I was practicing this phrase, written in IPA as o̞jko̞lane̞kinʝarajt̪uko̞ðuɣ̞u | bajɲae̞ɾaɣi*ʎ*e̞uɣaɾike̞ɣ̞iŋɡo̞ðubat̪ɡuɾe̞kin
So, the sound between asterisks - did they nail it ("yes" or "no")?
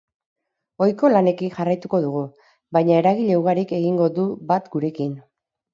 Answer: yes